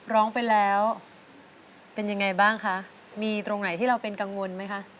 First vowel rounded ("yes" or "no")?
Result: yes